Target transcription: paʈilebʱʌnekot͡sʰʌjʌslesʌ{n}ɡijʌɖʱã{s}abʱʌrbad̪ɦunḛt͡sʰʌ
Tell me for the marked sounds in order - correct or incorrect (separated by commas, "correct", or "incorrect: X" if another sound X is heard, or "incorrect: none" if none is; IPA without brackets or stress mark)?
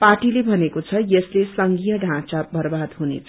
incorrect: ŋ, incorrect: t͡s